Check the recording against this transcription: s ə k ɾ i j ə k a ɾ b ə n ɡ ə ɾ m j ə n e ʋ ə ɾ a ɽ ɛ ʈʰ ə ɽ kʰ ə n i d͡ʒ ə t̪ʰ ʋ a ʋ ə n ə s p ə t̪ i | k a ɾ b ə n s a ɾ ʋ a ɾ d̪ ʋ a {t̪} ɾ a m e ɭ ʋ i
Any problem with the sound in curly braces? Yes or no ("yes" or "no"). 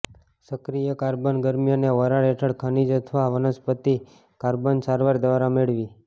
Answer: yes